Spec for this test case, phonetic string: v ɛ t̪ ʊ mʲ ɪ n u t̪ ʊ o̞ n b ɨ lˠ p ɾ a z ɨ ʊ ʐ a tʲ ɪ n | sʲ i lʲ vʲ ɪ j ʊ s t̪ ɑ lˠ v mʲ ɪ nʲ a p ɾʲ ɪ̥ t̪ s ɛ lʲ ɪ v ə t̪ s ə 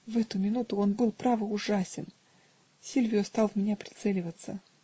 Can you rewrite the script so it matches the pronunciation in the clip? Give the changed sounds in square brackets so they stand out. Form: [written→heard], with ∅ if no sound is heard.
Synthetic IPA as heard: v ɛ t̪ ʊ mʲ ɪ n u t̪ ʊ o̞ n b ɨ lˠ p ɾ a [z→v] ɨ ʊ ʐ a [tʲ→sʲ] ɪ n | sʲ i lʲ vʲ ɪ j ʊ s t̪ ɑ lˠ v mʲ ɪ nʲ a p ɾʲ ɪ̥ t̪ s ɛ lʲ ɪ v ə t̪ s ə